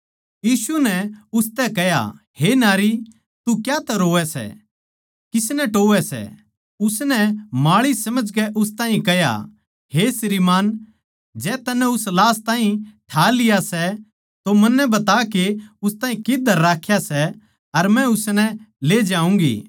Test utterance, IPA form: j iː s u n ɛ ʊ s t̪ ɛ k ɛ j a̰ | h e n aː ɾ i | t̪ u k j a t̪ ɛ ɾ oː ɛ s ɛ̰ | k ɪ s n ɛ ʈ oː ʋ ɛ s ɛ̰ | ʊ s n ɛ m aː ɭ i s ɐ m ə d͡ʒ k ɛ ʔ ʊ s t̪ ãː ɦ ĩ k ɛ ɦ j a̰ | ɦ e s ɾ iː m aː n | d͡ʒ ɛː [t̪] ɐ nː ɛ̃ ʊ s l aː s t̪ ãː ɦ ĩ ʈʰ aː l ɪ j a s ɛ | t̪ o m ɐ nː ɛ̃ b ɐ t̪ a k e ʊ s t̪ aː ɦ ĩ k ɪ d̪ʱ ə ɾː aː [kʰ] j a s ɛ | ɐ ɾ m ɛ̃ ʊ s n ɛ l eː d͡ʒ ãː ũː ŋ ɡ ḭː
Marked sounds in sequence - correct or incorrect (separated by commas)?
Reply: correct, correct